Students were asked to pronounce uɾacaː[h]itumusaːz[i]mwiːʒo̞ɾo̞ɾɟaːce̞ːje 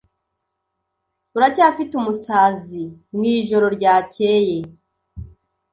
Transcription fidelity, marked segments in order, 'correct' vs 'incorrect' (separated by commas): incorrect, correct